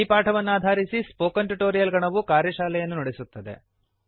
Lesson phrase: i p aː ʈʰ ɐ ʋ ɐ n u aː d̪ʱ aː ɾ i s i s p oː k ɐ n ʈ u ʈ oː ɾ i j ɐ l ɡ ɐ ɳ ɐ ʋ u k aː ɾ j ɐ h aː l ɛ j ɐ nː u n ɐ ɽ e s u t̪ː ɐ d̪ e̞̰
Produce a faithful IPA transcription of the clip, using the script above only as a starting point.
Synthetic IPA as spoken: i p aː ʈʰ ɐ ʋ ɐ nː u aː d̪ʱ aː ɾ i s i s p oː k ɐ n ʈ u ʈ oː ɾ i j ɐ l ɡ ɐ ɳ ɐ ʋ u k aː ɾ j ɐ ʃ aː l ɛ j ɐ nː u n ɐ ɽ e s u t̪ː ɐ d̪ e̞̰